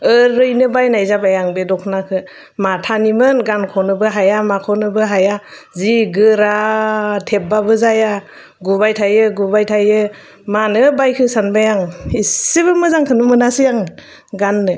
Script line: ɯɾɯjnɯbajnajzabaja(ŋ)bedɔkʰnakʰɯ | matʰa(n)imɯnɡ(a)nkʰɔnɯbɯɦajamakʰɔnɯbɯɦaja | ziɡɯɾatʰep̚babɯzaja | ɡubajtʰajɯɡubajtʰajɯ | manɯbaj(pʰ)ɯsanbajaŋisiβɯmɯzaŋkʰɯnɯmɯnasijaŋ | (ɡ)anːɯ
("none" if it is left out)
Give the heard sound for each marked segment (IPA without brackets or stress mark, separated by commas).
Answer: ŋ, n, a, kʰ, ɡ